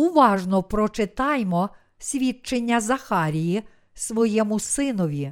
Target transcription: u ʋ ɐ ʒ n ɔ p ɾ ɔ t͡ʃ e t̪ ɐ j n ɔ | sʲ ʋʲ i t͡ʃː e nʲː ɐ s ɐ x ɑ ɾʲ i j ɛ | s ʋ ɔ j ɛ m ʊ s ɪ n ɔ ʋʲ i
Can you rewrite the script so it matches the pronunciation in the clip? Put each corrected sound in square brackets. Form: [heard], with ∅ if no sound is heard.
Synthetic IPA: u ʋ [ɑ] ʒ n ɔ p ɾ ɔ t͡ʃ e t̪ [ɑ] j [m] ɔ | sʲ ʋʲ i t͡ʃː e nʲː ɐ [z] ɐ x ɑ ɾʲ i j [i] | s ʋ ɔ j ɛ m ʊ s ɪ n ɔ ʋʲ i